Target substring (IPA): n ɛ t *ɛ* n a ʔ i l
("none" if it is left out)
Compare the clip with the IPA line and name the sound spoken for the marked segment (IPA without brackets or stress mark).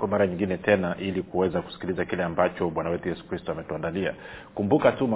ɛ